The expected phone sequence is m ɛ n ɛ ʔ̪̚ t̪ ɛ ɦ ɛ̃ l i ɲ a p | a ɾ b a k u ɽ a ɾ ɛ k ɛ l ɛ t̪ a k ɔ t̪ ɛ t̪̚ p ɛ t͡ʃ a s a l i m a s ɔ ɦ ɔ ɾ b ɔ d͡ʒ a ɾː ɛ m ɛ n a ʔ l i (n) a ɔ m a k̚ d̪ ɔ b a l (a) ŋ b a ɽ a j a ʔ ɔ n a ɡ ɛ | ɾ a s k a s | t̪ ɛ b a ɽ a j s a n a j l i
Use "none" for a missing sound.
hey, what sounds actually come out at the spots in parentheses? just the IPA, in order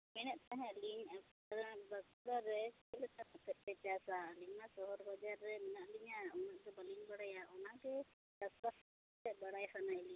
ɲ, i

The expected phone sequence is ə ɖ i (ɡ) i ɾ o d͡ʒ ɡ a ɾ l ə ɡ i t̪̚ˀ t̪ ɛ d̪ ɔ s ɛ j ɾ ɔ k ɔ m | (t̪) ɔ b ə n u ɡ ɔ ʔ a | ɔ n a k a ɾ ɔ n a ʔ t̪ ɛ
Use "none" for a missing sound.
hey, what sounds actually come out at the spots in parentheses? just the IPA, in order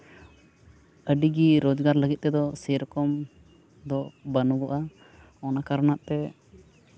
ɡ, d̪

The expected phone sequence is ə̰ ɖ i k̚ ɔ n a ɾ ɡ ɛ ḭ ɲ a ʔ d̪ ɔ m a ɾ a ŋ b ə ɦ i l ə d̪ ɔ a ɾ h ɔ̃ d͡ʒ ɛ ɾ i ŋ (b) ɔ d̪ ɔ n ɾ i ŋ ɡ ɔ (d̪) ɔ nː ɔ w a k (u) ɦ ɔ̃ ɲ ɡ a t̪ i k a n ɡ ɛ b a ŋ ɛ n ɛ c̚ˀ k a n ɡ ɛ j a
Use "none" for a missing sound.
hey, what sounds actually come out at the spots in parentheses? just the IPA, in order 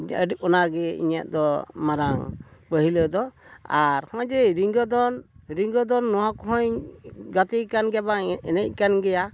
ɡ, d̪, ɔ

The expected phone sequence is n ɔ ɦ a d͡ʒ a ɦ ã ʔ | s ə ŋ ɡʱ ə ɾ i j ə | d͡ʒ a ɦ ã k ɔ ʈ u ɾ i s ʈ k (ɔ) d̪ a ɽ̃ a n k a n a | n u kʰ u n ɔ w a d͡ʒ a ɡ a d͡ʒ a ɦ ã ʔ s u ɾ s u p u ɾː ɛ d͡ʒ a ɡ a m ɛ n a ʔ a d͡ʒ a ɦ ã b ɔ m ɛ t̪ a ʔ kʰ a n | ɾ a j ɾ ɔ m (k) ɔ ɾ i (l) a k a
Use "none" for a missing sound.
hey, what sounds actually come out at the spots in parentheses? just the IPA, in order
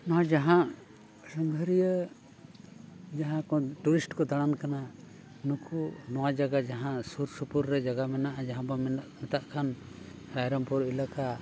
ɔ, p, l

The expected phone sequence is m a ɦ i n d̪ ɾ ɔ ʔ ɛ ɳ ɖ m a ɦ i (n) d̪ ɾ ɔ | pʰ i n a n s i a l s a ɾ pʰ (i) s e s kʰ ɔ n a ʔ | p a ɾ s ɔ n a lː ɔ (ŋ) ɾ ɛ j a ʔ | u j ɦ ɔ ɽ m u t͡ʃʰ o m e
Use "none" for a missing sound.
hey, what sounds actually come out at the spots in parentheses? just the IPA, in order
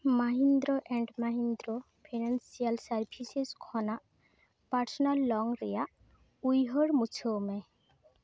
n, i, ŋ

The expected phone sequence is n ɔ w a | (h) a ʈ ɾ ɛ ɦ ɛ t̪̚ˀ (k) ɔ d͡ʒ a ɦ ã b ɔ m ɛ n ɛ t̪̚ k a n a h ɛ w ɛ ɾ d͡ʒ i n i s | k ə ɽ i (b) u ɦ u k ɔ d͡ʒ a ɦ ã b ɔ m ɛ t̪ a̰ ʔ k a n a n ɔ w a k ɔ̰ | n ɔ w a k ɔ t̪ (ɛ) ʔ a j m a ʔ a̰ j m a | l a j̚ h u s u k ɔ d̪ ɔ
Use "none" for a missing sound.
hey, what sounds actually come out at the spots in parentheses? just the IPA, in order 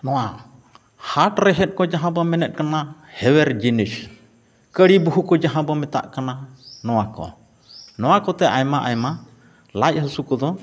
h, k, b, ɛ

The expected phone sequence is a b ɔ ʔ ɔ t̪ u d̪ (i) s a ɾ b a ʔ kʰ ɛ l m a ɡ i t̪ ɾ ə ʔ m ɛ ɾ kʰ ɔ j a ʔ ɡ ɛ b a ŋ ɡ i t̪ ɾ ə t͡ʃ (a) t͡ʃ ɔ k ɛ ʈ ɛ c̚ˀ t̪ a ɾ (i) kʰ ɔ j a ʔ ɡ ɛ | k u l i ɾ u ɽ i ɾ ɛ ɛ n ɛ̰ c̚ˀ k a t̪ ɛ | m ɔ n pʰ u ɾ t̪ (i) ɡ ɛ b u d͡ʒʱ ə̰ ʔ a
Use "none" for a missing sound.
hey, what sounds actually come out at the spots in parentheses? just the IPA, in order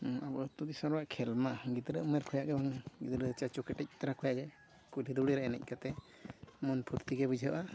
i, a, a, i

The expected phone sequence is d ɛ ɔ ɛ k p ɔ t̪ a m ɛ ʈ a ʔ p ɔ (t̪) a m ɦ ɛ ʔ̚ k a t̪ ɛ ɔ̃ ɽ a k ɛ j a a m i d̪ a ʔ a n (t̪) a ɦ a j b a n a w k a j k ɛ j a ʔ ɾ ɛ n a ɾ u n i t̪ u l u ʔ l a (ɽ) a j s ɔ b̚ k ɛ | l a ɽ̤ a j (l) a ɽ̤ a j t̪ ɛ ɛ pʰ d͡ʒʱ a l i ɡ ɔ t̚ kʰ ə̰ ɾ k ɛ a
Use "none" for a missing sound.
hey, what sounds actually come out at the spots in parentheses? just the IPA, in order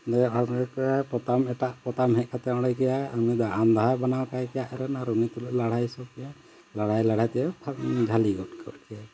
t̪, d̪, ɽ, l

